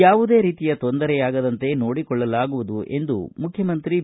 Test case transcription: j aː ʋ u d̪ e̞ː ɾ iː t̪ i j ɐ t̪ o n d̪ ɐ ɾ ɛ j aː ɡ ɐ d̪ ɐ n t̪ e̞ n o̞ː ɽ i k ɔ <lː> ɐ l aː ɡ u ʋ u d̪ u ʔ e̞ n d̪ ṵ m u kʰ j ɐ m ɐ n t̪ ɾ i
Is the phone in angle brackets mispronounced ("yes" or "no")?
yes